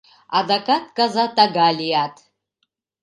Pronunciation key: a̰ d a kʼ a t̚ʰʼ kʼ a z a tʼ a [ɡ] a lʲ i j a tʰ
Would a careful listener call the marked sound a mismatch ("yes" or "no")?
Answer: no